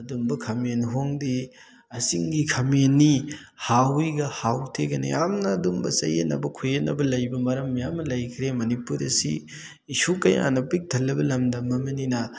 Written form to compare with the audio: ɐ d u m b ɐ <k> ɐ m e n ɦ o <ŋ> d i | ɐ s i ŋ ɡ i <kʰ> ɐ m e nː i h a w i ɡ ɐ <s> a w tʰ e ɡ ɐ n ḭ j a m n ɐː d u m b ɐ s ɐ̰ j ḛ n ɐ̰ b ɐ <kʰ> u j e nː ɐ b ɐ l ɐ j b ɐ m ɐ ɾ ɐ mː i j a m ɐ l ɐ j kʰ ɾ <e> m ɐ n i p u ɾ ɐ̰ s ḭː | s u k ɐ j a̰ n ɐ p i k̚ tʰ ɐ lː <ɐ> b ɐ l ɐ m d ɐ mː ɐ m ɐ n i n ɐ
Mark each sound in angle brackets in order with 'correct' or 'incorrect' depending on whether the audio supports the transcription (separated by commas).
incorrect, correct, correct, incorrect, correct, correct, correct